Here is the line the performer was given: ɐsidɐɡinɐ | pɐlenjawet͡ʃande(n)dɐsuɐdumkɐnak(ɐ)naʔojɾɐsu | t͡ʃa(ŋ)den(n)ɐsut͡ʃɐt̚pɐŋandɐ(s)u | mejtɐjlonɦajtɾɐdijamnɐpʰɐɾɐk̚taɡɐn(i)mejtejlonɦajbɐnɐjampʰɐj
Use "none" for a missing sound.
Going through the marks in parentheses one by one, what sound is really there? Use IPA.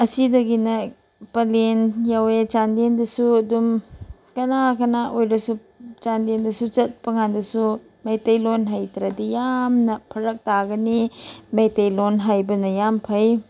n, ɐ, n, d, s, i

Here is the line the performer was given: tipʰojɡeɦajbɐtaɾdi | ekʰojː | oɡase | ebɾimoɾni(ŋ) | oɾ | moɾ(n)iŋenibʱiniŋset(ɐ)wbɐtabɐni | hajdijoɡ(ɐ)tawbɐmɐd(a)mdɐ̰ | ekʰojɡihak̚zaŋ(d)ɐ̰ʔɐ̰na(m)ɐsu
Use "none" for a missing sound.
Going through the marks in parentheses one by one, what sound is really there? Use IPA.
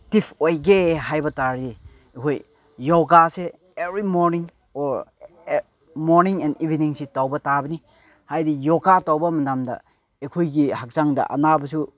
ŋ, n, a, a, a, d, b

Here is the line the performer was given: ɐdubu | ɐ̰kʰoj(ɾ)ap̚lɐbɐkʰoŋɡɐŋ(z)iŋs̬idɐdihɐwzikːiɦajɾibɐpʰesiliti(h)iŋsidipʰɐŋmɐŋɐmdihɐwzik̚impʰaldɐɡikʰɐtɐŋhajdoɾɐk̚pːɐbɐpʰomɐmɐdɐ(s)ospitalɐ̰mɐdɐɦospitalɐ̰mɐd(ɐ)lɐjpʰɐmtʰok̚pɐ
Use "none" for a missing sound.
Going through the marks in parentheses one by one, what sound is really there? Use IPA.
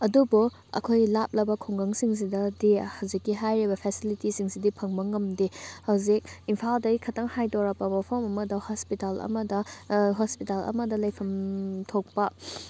l, s, s, h, ɐ

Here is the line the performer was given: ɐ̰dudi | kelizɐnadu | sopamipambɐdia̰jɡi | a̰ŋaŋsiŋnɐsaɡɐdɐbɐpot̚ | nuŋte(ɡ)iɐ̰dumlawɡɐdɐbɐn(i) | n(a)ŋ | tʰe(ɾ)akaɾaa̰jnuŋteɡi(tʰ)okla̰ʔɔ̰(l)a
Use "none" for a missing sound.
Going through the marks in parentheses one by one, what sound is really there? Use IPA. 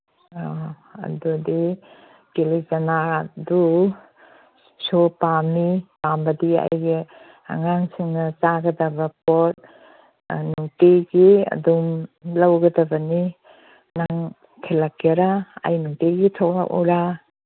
ɡ, i, a, l, tʰ, ɾ

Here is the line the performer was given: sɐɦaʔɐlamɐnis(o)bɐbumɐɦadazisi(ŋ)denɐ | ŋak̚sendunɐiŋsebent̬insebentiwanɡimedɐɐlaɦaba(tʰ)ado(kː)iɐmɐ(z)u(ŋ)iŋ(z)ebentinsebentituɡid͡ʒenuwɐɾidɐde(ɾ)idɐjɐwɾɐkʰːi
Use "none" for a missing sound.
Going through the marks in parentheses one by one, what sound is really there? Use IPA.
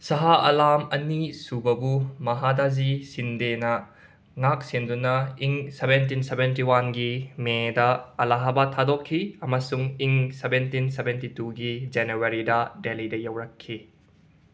u, n, tʰ, kʰː, s, ŋ, s, l

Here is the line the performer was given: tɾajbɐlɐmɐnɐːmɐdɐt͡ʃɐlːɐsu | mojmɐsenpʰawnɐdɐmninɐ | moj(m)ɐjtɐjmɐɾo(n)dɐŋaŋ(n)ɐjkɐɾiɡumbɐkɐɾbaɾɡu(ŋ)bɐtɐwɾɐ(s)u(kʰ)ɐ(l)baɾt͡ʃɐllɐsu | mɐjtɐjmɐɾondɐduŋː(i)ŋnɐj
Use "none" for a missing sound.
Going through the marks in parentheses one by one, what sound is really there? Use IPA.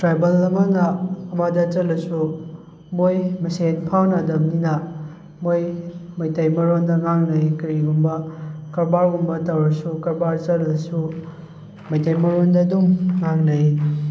m, n, n, m, s, k, ɾ, a

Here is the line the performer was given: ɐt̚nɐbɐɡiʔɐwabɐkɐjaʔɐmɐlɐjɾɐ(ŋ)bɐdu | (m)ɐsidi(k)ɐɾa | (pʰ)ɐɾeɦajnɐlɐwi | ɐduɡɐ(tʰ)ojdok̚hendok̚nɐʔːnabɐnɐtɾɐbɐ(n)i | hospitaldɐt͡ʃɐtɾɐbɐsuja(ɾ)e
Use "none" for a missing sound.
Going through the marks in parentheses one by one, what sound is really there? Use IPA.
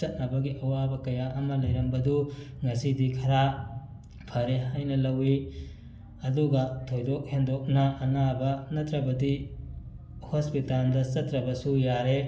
m, ŋ, kʰ, pʰ, tʰ, d, ɾ

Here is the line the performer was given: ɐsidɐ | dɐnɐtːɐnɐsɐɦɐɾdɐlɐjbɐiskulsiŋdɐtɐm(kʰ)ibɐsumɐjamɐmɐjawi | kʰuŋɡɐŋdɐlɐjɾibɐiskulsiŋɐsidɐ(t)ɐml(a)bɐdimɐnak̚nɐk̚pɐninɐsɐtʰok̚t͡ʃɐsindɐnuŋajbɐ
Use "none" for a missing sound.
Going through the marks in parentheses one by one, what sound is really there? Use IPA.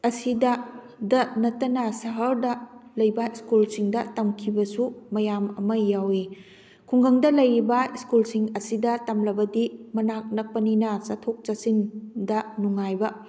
kʰ, t, ɐ

